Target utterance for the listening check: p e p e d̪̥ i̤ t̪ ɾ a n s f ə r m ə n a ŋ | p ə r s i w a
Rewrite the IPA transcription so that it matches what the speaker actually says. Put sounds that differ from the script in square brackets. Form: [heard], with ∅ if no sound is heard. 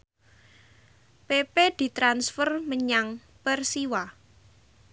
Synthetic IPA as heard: p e p e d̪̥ i̤ t̪ ɾ a n s f ə r m ə [ɲ] a ŋ | p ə r s i w a